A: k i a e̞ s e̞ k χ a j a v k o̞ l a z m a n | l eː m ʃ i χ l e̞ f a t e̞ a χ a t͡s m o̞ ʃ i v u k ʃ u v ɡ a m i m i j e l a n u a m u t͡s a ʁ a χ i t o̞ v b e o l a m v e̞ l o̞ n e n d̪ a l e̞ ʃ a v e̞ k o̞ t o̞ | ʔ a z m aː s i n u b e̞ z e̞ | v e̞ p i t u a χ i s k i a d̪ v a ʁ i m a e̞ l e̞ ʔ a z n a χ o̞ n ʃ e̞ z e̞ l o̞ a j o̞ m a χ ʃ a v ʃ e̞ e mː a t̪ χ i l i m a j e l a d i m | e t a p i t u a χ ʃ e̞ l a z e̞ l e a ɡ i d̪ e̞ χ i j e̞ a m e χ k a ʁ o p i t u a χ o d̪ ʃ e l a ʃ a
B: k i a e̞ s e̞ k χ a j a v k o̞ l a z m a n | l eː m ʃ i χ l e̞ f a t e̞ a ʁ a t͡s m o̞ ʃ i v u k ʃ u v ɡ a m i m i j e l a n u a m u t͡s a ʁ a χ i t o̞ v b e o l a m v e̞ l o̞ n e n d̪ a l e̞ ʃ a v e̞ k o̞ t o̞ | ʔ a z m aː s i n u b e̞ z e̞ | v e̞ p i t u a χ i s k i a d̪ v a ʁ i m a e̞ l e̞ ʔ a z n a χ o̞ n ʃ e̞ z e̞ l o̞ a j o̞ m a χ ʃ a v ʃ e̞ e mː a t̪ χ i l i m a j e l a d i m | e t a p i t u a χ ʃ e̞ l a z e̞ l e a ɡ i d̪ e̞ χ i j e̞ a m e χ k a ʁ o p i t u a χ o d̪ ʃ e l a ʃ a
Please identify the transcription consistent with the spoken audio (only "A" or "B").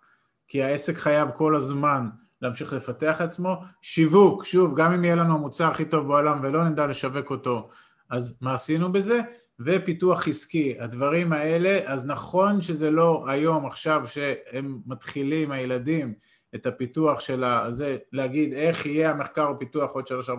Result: A